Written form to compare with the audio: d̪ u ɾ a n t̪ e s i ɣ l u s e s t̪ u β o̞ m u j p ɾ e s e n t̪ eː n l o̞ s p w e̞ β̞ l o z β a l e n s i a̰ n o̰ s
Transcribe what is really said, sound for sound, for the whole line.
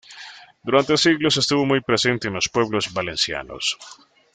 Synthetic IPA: d̪ u ɾ a n t̪ e s i ɣ l o s e s t̪ u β o̞ m u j p ɾ e s e n t̪ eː n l o̞ s p w e̞ β̞ l o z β a l e n s j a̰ n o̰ s